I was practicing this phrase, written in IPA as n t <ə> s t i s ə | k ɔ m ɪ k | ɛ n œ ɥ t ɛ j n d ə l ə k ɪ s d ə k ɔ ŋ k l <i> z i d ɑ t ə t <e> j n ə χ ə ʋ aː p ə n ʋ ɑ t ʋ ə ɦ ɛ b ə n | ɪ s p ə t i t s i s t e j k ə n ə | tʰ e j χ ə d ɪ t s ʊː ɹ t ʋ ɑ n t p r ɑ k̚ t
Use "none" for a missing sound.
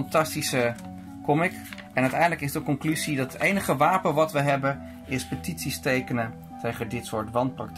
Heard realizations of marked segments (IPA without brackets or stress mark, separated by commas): ɑ, y, e